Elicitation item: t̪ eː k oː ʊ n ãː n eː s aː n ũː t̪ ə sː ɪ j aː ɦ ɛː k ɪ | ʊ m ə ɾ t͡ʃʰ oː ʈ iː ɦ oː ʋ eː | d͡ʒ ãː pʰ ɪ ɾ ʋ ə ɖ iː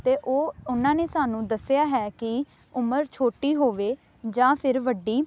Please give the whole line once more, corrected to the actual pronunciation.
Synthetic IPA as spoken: t̪ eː ʔ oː ʊ n ãː n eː s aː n ũː d̪ ə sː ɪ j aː ɦ ɛː k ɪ | ʊ m ə ɾ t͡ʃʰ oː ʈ iː ɦ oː ʋ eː | d͡ʒ ãː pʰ ɪ ɾ ʋ ə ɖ iː